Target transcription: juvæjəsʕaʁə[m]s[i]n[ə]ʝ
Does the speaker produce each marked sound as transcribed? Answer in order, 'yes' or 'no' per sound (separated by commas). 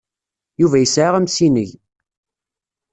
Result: yes, yes, yes